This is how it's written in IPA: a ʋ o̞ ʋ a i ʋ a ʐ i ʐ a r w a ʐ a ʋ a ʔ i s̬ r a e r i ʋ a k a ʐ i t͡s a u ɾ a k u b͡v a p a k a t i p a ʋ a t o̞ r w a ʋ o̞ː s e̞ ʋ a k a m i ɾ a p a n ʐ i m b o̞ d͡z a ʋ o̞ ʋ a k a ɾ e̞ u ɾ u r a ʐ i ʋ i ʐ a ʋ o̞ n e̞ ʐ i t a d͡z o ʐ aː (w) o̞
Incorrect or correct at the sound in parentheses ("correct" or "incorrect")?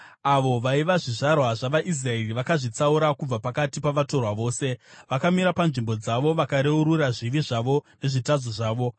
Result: incorrect